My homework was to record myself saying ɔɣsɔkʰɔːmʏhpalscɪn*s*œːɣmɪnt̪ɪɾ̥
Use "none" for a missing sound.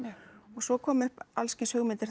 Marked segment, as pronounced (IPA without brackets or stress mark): s